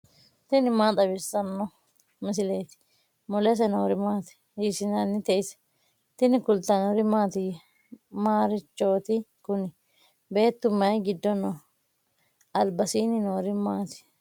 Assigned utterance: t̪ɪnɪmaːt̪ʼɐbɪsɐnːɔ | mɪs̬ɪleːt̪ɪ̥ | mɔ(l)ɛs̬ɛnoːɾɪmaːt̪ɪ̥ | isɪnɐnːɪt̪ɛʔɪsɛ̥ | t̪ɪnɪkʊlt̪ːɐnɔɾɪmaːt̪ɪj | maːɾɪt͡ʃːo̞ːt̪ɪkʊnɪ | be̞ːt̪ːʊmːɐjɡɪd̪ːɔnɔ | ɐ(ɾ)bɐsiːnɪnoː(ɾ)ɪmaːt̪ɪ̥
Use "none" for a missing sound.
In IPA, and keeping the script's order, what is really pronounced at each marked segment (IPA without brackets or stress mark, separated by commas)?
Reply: l, l, ɾ